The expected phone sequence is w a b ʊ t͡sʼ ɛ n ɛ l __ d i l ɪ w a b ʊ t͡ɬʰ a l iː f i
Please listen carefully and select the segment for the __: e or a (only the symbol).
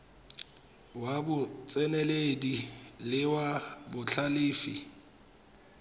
e